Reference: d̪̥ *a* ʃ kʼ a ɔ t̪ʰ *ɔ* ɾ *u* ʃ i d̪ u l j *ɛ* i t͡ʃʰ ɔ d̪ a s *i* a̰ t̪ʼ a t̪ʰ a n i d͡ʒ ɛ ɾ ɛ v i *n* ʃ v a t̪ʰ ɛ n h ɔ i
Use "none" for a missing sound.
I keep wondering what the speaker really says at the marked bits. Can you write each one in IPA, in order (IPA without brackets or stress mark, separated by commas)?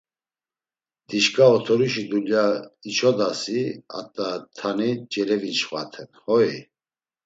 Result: i, ɔ, u, a, i, n